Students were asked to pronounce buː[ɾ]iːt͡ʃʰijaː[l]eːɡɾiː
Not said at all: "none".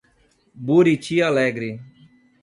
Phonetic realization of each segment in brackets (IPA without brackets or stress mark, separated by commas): ɾ, l